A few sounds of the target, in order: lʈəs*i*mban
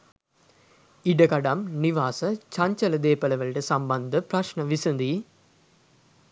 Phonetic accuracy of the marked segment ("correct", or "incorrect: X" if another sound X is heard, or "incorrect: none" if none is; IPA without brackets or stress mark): incorrect: a